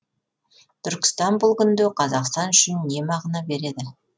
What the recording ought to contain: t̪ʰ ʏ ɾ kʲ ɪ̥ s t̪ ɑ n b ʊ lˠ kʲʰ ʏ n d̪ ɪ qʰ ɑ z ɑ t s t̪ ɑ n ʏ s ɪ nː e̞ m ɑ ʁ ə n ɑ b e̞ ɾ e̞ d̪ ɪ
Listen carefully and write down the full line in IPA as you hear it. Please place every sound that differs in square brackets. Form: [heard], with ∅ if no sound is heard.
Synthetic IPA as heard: t̪ʰ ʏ ɾ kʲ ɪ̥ s t̪ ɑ n b ʊ lˠ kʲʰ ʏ n d̪ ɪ qʰ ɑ z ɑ [q] s t̪ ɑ n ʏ [ʃ] ɪ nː e̞ m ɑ ʁ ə n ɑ b e̞ ɾ e̞ d̪ ɪ